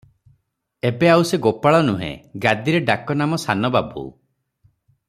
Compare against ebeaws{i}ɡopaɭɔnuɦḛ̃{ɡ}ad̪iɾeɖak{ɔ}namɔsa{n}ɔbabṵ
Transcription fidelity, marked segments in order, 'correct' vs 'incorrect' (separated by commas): incorrect, correct, correct, correct